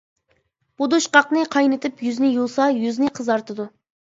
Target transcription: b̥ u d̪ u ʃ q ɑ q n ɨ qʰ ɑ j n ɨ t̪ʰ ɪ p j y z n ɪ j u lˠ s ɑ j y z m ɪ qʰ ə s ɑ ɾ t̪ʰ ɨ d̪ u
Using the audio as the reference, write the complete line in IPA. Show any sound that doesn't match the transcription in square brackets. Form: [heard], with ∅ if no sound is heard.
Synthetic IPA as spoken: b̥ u d̪ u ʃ q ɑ q n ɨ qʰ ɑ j n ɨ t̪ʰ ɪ p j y z n ɪ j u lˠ s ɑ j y z [n] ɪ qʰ ə [z] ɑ ɾ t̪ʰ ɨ d̪ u